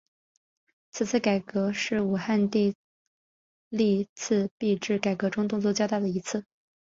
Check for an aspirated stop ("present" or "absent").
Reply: present